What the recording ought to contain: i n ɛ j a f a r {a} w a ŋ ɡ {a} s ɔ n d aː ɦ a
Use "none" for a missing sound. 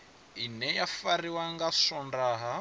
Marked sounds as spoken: i, a

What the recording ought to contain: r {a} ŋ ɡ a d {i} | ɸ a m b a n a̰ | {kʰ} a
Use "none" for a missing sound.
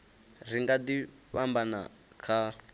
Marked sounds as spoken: i, i, kʰ

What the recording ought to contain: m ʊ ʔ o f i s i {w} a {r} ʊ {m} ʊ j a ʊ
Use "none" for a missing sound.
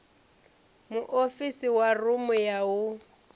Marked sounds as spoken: w, r, m

